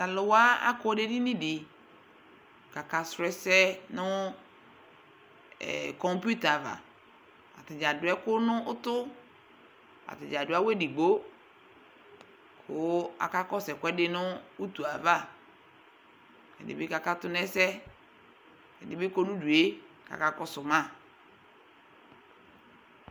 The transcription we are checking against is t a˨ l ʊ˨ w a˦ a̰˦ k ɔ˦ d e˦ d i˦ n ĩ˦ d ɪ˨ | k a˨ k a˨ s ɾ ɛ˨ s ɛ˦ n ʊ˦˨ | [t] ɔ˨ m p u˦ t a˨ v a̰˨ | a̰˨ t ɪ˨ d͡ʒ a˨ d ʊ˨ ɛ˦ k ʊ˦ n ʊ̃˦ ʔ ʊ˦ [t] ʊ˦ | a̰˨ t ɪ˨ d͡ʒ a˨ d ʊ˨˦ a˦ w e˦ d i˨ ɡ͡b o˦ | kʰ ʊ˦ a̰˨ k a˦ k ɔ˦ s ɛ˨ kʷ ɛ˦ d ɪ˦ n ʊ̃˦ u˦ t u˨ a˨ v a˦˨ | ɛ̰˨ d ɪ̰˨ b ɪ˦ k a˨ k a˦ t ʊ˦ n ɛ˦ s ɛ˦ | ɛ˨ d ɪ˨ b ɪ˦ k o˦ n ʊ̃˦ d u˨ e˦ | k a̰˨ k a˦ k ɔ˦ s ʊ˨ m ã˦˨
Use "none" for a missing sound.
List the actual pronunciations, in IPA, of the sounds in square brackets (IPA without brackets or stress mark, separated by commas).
k, t